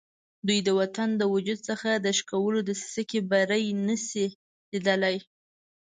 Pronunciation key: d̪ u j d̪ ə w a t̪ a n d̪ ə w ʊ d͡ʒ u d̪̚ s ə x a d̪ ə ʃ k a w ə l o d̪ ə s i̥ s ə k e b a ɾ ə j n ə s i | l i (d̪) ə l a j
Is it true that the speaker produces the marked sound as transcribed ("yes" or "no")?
yes